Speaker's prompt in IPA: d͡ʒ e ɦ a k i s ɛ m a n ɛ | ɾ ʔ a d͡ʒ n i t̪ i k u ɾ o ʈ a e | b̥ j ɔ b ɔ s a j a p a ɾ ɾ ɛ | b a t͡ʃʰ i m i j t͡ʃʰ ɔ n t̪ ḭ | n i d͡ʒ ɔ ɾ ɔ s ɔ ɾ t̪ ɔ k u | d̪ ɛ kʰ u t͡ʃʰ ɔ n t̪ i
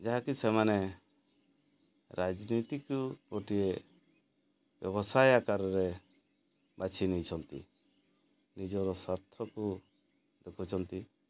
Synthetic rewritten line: d͡ʒ a ɦ a k i s ɛ m a n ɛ | ɾ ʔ a d͡ʒ n i t̪ i k u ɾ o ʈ i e | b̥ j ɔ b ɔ s a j a k a ɾ ɾ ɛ | b a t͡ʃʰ i n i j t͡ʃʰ ɔ n t̪ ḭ | n i d͡ʒ ɔ ɾ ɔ s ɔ ɾ t̪ʰ ɔ k u | d̪ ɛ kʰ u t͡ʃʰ ɔ n t̪ i

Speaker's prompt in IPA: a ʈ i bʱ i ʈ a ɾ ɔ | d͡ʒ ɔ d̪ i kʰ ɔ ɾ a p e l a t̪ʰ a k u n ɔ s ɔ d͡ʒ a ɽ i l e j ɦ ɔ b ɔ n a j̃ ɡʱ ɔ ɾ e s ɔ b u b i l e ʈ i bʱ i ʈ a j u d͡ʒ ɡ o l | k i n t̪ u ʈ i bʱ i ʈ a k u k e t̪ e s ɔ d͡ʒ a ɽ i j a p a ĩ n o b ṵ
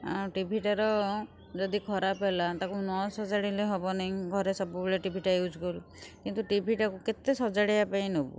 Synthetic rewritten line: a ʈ i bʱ i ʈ a ɾ ɔ | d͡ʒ ɔ d̪ i kʰ ɔ ɾ a p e l a t̪ a k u n ɔ s ɔ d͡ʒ a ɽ i l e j ɦ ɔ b ɔ n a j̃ ɡʱ ɔ ɾ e s ɔ b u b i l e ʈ i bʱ i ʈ a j u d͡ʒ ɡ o l | k i n t̪ u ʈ i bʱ i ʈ a k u k e t̪ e s ɔ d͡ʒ a ɽ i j a p a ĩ n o b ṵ

